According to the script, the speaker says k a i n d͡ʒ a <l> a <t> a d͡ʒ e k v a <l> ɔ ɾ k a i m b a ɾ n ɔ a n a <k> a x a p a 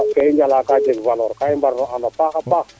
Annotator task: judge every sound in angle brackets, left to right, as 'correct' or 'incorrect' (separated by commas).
correct, incorrect, correct, incorrect